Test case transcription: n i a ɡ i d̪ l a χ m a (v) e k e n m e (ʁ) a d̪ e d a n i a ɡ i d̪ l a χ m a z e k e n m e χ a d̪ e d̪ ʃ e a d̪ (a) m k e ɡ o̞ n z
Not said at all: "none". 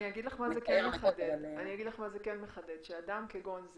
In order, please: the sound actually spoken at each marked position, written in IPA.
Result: z, χ, a

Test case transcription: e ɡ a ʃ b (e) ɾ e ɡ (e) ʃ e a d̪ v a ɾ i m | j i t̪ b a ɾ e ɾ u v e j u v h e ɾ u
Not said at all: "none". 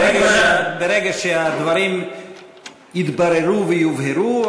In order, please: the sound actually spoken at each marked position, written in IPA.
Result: e, a

